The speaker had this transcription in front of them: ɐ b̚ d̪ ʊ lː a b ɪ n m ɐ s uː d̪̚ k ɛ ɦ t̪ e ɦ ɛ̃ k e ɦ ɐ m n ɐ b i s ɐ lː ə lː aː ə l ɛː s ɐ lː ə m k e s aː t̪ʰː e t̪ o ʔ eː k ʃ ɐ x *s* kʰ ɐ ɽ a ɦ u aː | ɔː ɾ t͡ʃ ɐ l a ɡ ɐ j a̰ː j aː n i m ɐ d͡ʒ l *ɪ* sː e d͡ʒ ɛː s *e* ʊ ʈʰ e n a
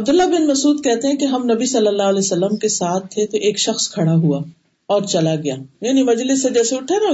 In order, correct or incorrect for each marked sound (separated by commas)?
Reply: correct, correct, correct